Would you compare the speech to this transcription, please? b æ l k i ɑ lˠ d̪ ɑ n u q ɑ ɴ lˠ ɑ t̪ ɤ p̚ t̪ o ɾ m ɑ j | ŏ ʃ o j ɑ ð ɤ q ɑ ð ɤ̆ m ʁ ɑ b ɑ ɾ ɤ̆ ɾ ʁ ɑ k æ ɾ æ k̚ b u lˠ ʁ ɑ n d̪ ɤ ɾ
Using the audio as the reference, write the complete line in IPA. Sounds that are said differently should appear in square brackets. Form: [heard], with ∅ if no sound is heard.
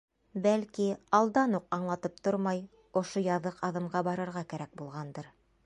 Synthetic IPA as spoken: b æ l k i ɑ lˠ d̪ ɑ n u q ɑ ɴ lˠ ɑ t̪ ɤ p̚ t̪ o ɾ m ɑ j | ŏ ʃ o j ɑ ð ɤ q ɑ ð ɤ̆ m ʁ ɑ b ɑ ɾ ɤ̆ ɾ ʁ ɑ k æ ɾ æ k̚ b u lˠ ʁ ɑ n d̪ ɤ ɾ